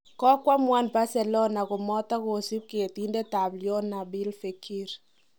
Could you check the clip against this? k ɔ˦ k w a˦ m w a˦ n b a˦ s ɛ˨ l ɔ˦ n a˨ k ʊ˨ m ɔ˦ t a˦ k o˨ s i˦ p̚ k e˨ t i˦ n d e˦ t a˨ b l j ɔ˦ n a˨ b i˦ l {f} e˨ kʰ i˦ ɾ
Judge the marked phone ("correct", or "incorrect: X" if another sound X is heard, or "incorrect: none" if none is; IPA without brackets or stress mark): correct